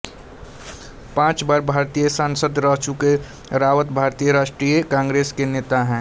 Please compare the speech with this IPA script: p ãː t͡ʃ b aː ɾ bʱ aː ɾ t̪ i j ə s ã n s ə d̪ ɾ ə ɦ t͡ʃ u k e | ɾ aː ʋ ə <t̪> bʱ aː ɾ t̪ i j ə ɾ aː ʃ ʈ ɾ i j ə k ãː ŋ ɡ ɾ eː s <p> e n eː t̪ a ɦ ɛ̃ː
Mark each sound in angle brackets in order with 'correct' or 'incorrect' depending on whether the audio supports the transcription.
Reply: correct, incorrect: k

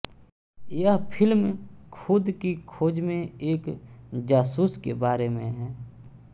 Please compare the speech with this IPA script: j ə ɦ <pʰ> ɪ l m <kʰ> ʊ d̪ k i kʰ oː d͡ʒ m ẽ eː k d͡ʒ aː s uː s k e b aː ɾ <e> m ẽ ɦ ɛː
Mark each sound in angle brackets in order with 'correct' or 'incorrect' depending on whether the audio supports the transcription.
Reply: correct, correct, correct

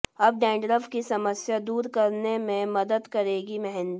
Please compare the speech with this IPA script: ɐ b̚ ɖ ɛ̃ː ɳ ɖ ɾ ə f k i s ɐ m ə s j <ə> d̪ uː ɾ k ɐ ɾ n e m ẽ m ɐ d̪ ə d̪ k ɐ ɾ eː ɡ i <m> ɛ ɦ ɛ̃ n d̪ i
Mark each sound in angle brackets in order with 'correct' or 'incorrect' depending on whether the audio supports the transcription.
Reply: incorrect: a, correct

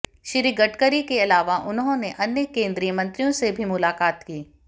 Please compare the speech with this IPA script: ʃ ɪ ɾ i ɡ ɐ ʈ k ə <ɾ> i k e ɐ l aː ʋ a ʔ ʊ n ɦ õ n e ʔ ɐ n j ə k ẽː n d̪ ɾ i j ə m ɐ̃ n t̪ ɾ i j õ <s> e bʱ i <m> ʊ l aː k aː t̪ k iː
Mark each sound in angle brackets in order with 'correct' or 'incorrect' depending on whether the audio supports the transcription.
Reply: correct, correct, correct

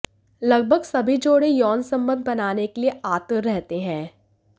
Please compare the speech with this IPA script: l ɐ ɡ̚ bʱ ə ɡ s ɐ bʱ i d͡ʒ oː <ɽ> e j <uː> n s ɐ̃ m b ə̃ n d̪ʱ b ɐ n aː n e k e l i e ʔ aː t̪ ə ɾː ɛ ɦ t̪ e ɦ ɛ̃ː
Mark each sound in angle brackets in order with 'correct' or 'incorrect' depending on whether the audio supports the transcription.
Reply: correct, incorrect: ɔː

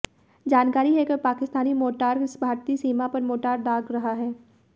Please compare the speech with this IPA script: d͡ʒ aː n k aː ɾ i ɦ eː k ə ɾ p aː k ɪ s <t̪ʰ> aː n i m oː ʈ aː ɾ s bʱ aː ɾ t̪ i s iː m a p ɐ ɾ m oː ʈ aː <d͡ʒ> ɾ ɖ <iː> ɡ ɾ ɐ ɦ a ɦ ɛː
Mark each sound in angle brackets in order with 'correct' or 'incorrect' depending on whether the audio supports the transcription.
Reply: incorrect: t̪, incorrect: none, incorrect: aː

